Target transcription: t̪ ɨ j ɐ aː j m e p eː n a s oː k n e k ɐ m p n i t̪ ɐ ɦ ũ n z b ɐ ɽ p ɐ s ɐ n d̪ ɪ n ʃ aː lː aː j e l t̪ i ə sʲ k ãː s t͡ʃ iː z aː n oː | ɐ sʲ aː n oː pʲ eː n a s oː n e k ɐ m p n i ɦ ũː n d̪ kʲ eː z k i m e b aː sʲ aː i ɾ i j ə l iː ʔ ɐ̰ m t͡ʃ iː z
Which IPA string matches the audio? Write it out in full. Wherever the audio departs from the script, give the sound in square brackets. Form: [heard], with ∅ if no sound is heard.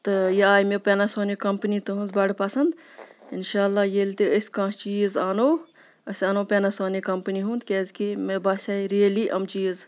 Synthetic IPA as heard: t̪ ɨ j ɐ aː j m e p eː n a s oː [∅] n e k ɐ m p n i t̪ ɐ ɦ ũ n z b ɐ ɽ p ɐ s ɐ n d̪ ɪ n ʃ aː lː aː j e l t̪ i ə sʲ k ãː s t͡ʃ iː z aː n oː | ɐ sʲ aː n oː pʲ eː n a s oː n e k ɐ m p n i ɦ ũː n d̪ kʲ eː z k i m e b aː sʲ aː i ɾ i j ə l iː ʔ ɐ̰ m t͡ʃ iː z